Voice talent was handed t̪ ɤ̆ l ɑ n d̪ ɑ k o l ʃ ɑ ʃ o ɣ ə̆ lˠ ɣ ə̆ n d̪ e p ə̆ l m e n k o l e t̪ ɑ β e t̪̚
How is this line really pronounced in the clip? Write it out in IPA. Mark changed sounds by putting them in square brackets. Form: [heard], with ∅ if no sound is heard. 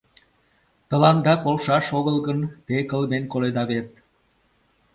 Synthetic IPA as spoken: t̪ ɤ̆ l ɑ n d̪ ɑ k o l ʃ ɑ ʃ o ɣ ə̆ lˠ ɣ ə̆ n [t̪] e [k] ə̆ l m e n k o l e [d̪] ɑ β e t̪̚